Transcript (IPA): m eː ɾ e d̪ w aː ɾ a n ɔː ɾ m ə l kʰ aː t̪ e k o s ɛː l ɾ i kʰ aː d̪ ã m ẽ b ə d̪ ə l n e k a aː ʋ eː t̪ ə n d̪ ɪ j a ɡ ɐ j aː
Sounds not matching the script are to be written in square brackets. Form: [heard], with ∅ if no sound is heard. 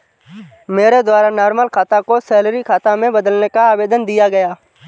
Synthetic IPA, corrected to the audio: m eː ɾ e d̪ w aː ɾ a n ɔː ɾ m ə l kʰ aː t̪ [a] k o s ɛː l ɾ i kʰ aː [t̪] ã m ẽ b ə d̪ ə l n e k a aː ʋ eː [d̪] ə n d̪ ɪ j a ɡ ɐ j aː